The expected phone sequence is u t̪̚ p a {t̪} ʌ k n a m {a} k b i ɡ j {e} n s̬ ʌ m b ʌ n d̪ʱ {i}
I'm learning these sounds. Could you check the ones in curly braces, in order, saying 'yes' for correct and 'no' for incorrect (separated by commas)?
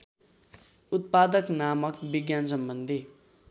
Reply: no, no, no, yes